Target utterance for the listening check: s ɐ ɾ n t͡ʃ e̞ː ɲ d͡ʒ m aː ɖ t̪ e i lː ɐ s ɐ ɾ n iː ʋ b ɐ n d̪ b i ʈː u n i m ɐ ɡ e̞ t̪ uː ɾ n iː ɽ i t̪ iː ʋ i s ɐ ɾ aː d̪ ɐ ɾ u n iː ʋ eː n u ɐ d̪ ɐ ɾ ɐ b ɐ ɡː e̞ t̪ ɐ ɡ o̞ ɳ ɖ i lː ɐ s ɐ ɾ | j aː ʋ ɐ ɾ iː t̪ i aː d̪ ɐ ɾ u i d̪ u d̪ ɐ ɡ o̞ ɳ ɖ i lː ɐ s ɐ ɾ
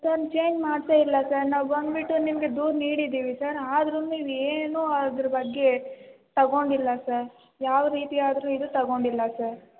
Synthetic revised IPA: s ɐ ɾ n t͡ʃ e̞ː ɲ d͡ʒ m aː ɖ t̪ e i lː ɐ s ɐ ɾ n aː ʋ b ɐ n d̪ b i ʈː u n i m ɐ ɡ e̞ d̪ uː ɾ n iː ɽ i d̪ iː ʋ i s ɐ ɾ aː d̪ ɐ ɾ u n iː ʋ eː n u ɐ d̪ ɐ ɾ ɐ b ɐ ɡː e̞ t̪ ɐ ɡ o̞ ɳ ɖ i lː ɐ s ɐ ɾ | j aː ʋ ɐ ɾ iː t̪ i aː d̪ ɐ ɾ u i d̪ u t̪ ɐ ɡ o̞ ɳ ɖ i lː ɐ s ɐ ɾ